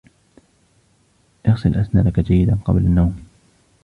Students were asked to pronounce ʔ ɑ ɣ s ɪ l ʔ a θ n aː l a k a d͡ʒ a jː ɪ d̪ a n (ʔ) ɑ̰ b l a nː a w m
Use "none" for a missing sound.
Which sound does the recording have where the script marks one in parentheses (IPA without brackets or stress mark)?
q